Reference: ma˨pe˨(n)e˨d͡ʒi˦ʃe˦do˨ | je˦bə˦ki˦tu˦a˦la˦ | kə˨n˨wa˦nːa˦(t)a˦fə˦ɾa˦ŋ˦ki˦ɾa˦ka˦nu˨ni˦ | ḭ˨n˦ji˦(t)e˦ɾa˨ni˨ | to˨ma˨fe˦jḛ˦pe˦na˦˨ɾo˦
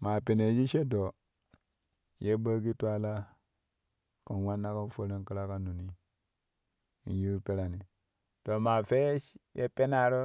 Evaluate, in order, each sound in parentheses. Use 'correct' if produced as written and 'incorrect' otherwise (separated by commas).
correct, incorrect, incorrect